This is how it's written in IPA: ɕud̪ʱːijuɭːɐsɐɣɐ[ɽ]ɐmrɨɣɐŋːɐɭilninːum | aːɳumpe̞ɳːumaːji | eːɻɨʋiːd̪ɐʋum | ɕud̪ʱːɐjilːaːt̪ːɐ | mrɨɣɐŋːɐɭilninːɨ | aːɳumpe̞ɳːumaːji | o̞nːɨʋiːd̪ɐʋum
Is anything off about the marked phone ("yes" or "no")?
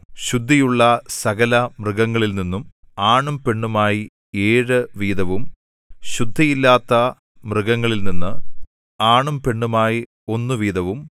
yes